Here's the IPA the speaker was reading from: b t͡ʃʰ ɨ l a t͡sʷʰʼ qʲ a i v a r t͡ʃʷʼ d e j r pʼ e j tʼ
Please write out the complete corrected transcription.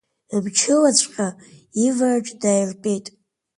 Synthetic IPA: b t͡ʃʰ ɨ l a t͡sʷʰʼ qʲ a i v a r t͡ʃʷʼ d a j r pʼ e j tʼ